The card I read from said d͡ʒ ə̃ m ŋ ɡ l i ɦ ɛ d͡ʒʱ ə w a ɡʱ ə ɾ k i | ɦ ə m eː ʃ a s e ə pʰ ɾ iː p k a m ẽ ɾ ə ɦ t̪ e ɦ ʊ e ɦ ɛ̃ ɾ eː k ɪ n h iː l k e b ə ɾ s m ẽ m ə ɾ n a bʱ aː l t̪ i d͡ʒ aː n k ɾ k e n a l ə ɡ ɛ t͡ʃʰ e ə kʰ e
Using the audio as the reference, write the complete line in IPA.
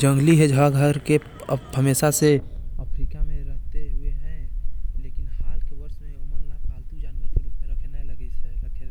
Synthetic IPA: d͡ʒ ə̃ ŋ ɡ l i ɦ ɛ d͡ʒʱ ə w a ɡʱ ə ɾ k e | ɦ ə m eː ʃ a s e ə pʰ ɾ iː p k a m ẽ ɾ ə ɦ t̪ e ɦ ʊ e ɦ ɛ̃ l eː k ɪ n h aː l k e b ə ɾ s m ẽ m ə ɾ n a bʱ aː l t̪ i d͡ʒ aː n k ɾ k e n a l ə ɡ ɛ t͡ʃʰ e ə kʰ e